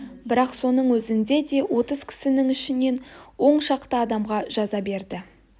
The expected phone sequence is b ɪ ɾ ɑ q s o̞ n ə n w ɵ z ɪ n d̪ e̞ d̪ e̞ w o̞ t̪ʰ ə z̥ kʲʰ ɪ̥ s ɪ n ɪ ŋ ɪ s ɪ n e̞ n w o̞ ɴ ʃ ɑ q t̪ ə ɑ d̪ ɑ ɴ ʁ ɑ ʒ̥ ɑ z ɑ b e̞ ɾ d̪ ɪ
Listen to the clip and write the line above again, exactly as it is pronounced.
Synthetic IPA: b ɪ ɾ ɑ q s o̞ n ə ɴ w ɵ z ɪ n d̪ e̞ d̪ e̞ w o̞ t̪ ə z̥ kʲʰ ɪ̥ s ɪ n ɪ ŋ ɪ ʃ ɪ n e̞ n w o̞ ɴ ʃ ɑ q t̪ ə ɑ d̪ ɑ m ʁ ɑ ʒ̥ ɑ z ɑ b e̞ ɾ d̪ ɪ